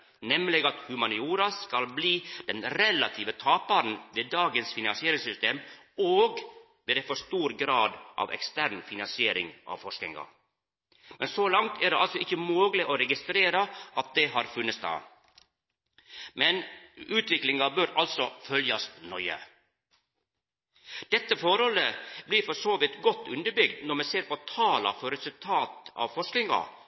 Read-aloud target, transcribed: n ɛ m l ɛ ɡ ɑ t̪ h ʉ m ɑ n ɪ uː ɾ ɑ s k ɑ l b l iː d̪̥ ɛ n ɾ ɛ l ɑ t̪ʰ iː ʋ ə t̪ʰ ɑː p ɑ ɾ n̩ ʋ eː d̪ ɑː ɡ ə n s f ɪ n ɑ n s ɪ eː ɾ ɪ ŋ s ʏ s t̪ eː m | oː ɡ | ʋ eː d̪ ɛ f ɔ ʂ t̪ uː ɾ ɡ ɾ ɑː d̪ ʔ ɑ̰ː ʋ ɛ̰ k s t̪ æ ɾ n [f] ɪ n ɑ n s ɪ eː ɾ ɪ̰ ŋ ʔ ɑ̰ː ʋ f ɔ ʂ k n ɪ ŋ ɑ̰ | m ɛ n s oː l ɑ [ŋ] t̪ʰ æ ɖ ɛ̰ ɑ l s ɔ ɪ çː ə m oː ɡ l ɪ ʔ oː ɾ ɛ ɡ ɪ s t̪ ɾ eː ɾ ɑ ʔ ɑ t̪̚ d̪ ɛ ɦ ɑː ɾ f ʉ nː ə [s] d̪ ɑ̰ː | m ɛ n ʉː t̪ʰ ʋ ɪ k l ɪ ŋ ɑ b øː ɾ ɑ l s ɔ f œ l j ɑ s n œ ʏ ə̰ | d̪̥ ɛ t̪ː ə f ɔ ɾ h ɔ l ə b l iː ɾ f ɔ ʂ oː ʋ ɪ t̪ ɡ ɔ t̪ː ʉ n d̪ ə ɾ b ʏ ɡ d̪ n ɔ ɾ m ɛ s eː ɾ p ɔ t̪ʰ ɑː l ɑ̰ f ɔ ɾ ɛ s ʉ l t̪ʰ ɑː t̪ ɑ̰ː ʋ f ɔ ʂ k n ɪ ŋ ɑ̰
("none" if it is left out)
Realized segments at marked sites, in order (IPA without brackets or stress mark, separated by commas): f, ŋ, s